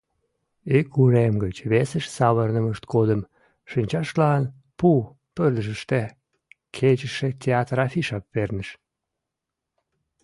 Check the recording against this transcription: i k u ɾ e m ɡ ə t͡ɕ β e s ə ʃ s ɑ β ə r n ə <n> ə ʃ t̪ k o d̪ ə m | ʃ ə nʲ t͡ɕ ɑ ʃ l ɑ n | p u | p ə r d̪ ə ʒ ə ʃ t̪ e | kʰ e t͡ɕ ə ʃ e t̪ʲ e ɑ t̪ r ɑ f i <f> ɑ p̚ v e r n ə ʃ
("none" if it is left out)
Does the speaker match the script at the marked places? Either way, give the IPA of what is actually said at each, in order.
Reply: m, ʃ

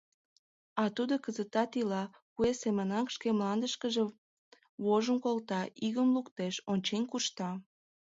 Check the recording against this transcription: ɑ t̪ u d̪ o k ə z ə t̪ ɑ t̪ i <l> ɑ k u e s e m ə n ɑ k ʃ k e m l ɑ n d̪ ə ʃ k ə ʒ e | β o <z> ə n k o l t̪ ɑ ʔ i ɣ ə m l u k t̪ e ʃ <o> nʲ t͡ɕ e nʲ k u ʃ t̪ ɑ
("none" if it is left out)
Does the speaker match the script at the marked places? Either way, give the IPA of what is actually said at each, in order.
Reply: l, ʒ, o

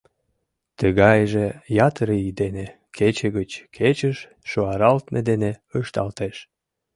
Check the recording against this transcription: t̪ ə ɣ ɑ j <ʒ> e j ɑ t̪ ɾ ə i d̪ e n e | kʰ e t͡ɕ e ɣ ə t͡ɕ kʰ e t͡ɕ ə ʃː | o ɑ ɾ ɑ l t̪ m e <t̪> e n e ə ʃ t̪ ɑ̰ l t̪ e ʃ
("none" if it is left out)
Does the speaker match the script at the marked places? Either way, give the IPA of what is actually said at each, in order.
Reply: ʒ, d̪

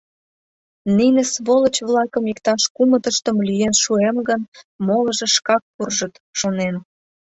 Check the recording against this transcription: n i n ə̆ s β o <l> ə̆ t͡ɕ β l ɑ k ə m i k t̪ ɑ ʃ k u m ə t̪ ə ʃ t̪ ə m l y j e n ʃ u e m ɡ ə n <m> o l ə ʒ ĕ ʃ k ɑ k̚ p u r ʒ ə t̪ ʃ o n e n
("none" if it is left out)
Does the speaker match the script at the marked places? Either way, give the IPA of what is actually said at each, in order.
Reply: l, m

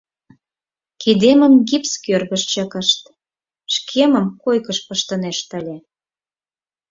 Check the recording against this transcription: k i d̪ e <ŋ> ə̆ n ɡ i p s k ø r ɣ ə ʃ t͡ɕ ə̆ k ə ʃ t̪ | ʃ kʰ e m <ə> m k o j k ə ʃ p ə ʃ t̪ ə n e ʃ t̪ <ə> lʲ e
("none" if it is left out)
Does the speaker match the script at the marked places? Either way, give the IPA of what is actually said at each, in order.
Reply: m, ə, ə

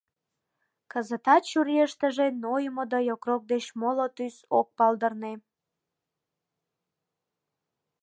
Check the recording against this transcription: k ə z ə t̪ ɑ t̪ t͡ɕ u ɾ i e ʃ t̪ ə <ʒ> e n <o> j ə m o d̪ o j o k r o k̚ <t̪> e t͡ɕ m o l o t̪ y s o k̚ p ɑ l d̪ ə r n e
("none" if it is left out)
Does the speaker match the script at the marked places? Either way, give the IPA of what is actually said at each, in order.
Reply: ʒ, o, d̪

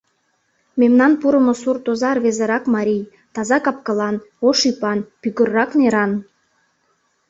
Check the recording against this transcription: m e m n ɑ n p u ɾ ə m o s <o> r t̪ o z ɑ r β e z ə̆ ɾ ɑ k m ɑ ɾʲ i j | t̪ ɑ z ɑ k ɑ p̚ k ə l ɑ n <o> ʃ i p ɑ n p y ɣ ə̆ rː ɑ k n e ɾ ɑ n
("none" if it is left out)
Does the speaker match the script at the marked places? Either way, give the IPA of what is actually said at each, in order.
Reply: u, o

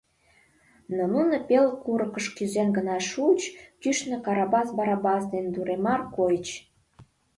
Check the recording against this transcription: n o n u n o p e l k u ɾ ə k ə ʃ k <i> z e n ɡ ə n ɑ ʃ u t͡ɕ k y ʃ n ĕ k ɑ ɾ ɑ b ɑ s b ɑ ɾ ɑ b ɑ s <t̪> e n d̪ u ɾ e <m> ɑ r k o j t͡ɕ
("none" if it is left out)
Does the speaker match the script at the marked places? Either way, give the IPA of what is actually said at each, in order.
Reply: y, d̪, m

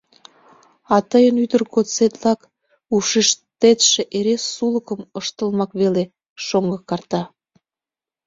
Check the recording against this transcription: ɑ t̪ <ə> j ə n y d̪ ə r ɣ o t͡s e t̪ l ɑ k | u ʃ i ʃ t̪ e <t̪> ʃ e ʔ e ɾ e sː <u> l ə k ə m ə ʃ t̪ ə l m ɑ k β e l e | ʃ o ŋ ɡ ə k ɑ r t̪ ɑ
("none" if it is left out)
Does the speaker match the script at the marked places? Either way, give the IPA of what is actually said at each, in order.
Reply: ə, t̪, u

